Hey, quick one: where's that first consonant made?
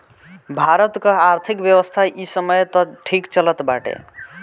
lips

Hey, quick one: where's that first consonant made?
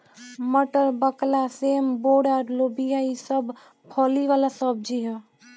lips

